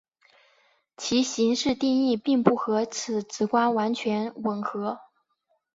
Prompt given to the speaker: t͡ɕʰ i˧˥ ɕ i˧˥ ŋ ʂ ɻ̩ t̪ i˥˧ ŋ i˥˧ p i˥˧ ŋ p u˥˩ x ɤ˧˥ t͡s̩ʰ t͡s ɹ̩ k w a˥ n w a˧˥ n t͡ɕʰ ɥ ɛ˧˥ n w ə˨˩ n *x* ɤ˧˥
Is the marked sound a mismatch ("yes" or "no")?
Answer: no